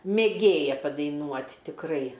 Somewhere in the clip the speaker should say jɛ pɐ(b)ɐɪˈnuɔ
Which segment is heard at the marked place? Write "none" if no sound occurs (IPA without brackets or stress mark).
d